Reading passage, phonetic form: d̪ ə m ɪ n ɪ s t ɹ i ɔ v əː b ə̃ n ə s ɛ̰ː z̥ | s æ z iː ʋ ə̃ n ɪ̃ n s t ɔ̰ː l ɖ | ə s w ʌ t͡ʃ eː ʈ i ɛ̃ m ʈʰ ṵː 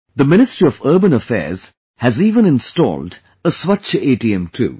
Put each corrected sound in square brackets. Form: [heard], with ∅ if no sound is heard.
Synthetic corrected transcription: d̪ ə m ɪ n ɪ s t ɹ i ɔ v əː b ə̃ n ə [f] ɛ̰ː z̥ | [h] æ z iː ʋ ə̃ n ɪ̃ n s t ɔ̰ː l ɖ | ə s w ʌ t͡ʃ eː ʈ i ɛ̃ m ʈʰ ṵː